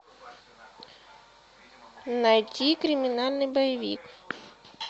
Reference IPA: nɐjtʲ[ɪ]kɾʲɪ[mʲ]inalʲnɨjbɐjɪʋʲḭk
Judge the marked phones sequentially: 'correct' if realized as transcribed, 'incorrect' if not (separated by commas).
incorrect, correct